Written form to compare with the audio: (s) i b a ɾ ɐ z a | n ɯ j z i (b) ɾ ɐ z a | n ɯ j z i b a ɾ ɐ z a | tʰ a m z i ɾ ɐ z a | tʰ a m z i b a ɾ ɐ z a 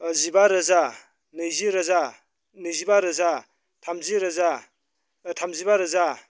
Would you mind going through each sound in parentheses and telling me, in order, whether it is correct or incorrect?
incorrect, incorrect

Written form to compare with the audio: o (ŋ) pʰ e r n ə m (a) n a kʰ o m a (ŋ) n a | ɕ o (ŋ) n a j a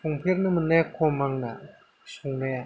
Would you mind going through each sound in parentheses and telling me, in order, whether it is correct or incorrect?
correct, incorrect, correct, correct

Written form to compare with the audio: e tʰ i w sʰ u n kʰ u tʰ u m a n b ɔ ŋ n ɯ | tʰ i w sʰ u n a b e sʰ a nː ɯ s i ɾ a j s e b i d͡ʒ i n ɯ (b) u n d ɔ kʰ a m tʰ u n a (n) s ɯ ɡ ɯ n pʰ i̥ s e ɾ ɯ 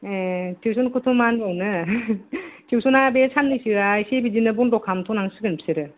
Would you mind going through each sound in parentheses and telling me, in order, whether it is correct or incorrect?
correct, incorrect

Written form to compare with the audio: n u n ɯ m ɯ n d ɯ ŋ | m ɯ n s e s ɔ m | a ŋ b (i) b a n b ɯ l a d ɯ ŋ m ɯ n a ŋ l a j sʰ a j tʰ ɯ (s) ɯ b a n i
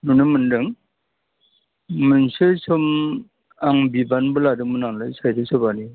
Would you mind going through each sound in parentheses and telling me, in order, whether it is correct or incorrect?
correct, correct

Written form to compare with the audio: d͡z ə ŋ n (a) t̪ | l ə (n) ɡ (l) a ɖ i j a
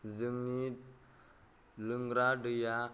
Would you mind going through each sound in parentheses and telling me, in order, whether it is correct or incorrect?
incorrect, incorrect, incorrect

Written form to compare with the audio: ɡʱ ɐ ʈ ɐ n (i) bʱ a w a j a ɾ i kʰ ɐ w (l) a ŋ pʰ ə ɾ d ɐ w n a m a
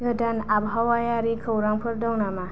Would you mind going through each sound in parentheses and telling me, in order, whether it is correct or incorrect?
incorrect, incorrect

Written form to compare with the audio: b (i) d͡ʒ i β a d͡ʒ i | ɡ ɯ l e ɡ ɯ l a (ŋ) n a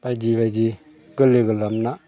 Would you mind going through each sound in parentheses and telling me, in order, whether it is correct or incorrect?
incorrect, incorrect

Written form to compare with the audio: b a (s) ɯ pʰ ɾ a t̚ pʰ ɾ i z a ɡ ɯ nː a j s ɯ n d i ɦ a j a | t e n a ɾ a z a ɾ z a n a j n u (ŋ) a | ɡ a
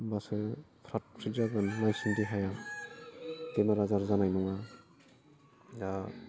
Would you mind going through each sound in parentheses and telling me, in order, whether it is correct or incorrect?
correct, correct

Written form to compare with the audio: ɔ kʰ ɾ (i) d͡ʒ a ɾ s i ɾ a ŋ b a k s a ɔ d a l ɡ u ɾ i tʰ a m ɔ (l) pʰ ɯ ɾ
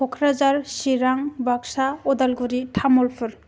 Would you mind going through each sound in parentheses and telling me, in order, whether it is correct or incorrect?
incorrect, correct

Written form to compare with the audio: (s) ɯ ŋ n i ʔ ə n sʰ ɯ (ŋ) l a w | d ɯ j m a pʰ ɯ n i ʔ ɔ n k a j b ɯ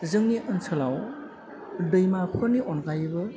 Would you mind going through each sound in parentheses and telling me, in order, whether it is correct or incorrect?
incorrect, incorrect

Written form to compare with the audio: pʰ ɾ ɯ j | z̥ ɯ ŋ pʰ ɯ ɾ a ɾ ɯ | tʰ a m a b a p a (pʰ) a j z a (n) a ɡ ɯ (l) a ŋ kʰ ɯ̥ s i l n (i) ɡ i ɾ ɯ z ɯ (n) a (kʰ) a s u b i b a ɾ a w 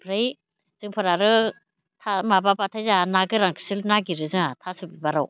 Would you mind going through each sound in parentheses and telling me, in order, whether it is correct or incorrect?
incorrect, correct, incorrect, incorrect, incorrect, incorrect

